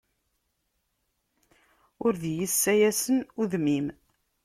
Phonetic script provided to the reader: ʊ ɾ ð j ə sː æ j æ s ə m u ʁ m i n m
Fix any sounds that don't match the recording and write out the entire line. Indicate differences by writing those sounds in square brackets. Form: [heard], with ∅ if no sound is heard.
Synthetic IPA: ʊ ɾ ð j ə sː æ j æ s ə [n] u [ð] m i [∅] m